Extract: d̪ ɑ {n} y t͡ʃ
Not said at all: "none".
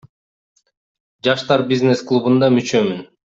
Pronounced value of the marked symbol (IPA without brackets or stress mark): m